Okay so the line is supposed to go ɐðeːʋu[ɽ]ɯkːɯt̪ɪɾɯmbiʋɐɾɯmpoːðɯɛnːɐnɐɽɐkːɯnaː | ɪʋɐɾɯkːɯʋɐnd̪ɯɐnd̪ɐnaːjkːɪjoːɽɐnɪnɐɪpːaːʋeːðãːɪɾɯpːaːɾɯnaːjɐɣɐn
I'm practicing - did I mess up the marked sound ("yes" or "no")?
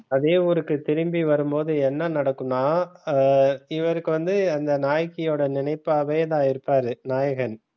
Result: yes